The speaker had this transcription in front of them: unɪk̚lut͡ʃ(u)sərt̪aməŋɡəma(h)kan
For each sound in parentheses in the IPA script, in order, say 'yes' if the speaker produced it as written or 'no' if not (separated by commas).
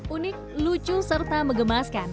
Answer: yes, no